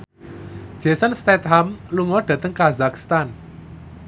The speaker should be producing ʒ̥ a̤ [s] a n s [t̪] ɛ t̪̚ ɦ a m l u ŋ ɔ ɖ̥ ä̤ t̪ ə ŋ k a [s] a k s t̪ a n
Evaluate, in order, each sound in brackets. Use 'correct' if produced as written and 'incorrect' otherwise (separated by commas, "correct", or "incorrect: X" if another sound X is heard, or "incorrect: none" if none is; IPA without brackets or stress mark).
correct, correct, incorrect: z